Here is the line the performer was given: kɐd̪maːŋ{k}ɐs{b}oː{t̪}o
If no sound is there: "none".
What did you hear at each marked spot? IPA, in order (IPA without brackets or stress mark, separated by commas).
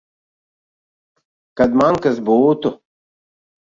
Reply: k, b, t̪